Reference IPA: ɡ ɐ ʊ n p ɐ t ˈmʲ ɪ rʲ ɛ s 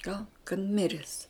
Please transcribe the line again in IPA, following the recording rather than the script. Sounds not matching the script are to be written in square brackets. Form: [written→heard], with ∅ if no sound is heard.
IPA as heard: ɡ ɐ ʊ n [p→k] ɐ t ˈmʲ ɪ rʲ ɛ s